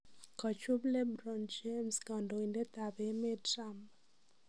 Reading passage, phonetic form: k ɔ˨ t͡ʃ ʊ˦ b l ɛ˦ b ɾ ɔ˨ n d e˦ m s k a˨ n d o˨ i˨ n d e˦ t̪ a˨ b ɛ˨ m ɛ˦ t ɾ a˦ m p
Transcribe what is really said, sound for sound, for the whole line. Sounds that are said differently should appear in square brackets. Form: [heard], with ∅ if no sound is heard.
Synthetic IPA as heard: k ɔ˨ t͡ʃ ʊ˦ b l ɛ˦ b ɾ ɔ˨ n [d͡ʒ] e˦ m s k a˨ n d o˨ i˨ n d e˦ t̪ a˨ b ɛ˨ m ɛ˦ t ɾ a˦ m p